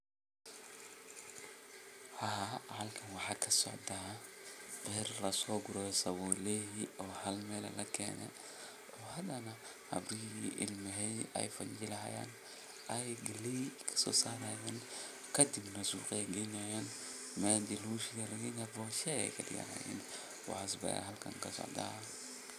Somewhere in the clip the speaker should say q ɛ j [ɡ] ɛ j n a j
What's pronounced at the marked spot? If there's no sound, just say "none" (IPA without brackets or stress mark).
ɡ